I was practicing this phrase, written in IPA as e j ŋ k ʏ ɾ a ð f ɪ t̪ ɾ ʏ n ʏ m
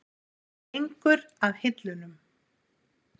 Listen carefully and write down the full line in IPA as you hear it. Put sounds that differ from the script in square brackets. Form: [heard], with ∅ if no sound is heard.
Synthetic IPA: e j ŋ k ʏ ɾ a ð [h] ɪ t̪ [l] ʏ n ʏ m